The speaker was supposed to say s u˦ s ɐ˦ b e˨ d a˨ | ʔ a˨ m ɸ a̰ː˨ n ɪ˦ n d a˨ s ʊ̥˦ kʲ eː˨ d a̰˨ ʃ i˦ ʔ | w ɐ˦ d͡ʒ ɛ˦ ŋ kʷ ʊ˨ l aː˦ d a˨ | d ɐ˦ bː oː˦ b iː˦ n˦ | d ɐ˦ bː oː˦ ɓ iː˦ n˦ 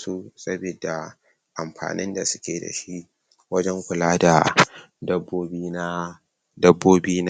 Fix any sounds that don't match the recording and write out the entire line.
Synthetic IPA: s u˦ s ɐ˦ b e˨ d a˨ | ʔ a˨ m ɸ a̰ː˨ n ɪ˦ n d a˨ s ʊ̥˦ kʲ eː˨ d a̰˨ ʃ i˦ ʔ | w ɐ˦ d͡ʒ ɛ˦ ŋ kʷ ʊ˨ l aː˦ d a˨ | d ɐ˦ bː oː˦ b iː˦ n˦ | d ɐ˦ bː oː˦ b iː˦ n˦

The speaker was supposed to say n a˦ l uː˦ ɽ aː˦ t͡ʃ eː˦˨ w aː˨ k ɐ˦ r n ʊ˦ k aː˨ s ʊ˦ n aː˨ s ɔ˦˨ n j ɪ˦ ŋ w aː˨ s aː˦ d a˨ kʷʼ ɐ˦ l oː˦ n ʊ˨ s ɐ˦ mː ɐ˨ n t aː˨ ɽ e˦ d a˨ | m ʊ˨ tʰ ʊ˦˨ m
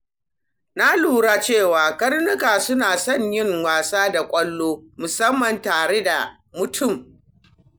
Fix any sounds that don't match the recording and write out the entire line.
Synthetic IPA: n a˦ l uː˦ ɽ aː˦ t͡ʃ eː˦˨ w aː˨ k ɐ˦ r n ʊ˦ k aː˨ s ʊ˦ n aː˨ s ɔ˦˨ ɲ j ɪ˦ ŋ w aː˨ s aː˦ d a˨ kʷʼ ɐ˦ lː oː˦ m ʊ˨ s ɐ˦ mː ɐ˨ n t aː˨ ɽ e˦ d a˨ | m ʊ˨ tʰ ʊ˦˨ m

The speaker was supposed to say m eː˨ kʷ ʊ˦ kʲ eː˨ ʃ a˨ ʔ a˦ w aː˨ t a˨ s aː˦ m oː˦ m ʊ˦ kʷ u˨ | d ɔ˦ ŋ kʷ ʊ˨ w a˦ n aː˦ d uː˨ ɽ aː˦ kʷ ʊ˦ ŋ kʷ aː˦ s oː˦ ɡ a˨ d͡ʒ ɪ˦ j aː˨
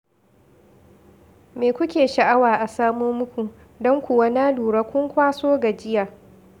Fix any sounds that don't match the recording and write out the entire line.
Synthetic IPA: m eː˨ kʷ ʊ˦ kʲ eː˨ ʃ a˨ ʔ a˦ w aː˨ ʔ a˨ s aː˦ m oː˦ m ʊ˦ kʷ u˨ | d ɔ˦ ŋ kʷ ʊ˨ w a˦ n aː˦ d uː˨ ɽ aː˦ kʷ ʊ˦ ŋ kʷ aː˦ s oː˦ ɡ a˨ d͡ʒ ɪ˦ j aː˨

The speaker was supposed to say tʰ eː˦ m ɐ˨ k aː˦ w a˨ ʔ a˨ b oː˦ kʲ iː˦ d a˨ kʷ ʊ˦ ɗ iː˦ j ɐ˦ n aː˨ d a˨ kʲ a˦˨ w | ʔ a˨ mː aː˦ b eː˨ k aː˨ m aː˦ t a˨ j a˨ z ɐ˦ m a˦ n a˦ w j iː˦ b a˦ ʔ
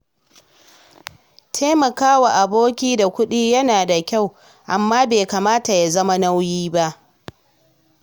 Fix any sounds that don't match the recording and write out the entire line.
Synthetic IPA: tʰ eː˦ m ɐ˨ k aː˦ w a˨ ʔ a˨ b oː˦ kʲ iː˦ d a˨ kʷ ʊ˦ ɗ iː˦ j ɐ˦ n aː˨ d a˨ kʲ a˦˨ w | ʔ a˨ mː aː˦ b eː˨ k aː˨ m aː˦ t a˨ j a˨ z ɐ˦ m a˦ n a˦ w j iː˦ b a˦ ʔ

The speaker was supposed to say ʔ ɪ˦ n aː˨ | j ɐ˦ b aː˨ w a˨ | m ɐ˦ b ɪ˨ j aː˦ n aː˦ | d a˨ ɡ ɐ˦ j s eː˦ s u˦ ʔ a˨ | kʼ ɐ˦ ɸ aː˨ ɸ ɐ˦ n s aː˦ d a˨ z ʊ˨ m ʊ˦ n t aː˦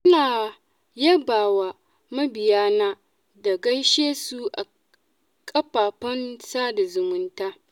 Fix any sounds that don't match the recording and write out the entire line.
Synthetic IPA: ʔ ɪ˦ n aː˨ | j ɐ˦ b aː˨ w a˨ | m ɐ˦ b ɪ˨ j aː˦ n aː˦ | d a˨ ɡ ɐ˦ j ʃ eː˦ s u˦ ʔ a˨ | kʼ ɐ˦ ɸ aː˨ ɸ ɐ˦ n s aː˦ d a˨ z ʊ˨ m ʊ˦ n t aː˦

